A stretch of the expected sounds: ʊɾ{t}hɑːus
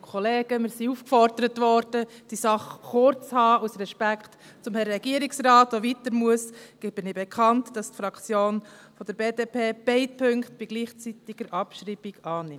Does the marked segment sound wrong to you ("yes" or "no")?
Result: yes